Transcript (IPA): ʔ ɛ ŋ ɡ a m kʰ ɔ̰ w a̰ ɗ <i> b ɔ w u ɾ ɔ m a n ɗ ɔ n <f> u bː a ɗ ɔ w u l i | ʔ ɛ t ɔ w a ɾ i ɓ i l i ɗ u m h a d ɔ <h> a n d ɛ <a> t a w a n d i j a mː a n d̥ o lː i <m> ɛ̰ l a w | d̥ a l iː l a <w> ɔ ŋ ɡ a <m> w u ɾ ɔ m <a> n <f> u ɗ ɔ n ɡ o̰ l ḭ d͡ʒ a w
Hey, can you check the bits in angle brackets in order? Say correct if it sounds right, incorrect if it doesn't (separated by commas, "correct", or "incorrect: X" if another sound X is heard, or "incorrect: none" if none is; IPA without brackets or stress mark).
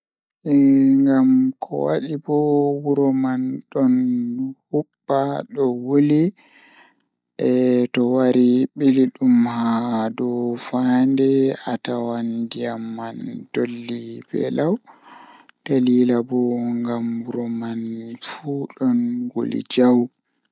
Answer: correct, incorrect: h, incorrect: f, correct, incorrect: b, incorrect: b, correct, correct, correct